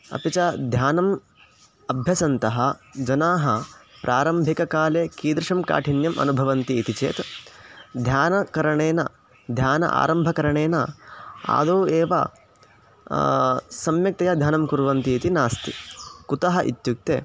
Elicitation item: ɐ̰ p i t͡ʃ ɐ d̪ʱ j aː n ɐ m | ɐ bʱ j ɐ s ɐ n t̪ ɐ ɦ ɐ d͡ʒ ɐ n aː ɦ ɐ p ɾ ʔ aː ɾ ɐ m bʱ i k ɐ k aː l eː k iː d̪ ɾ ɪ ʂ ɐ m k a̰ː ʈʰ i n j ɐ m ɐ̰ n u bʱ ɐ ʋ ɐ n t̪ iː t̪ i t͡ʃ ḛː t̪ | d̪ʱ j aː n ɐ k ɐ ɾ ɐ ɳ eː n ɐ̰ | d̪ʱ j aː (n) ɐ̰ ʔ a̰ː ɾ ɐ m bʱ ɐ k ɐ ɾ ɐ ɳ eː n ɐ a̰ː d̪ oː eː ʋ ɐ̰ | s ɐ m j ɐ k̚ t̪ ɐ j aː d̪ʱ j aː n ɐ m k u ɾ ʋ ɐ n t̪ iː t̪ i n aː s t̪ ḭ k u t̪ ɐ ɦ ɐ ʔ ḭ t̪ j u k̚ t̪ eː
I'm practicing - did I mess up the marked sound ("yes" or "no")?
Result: no